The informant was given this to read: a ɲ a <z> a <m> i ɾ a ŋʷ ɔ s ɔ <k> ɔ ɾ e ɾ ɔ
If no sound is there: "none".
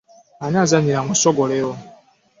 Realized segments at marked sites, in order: z, ɲ, ɡ

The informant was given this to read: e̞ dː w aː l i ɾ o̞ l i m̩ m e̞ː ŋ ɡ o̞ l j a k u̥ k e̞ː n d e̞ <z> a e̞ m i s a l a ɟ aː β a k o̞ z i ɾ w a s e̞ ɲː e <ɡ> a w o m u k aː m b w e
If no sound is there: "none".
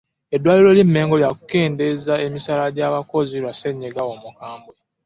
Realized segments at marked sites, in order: z, ɡ

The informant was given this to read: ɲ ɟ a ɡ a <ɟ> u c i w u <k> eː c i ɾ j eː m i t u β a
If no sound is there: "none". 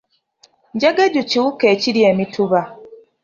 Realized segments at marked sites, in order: ɟ, k

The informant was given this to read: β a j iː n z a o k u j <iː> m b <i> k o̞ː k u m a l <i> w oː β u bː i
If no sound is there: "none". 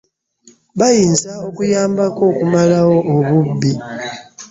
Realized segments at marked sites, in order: aː, a, a

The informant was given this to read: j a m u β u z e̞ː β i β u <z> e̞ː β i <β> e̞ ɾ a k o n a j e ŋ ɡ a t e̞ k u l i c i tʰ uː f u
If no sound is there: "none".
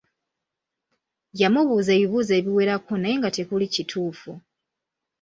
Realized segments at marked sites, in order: z, w

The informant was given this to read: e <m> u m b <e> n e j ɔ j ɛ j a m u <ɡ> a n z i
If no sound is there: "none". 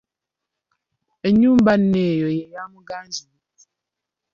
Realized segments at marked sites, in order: ɲ, a, ɡ

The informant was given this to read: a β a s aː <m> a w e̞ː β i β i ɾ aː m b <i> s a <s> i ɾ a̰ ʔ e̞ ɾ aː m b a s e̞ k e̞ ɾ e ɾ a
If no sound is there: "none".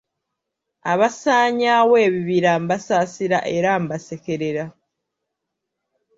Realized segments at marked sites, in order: ɲ, a, s

